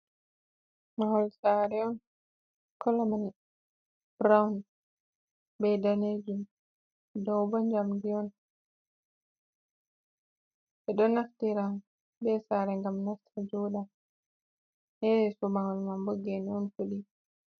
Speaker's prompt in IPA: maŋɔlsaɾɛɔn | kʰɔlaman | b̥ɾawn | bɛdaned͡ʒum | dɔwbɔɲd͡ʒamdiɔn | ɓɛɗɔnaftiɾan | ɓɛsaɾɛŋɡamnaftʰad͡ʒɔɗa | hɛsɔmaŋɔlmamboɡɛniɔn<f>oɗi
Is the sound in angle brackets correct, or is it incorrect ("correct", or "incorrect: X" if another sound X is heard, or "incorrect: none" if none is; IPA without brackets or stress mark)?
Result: correct